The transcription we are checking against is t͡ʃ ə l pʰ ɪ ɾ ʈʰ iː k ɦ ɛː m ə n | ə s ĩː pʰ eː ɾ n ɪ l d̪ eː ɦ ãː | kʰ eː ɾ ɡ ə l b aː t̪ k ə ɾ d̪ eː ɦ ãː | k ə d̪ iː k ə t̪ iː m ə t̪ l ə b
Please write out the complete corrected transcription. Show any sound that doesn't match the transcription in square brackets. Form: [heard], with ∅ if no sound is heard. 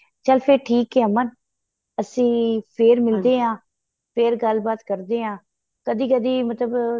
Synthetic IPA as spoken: t͡ʃ ə l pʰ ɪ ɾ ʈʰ iː k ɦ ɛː m ə n | ə s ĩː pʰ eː ɾ [m] ɪ l d̪ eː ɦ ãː | [pʰ] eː ɾ ɡ ə l b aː t̪ k ə ɾ d̪ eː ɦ ãː | k ə d̪ iː k ə [d̪] iː m ə t̪ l ə b